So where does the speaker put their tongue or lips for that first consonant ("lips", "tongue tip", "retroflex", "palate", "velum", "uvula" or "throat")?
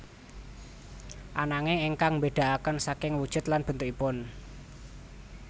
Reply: throat